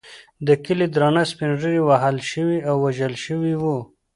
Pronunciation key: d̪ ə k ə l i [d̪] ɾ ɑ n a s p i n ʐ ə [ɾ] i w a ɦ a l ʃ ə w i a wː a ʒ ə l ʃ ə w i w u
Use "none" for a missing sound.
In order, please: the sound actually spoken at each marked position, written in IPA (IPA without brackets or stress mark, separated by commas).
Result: d̪, ɾ